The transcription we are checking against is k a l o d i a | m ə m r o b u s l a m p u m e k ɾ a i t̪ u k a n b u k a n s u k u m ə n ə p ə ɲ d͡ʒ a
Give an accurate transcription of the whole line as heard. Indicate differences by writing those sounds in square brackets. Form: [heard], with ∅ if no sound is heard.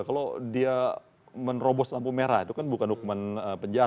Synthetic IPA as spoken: k a l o d i a | m ə [n] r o b [ɔ] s l a m p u m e [∅] ɾ a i t̪ u k a n b u k a n [h] u k u m [a] n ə p ə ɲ d͡ʒ a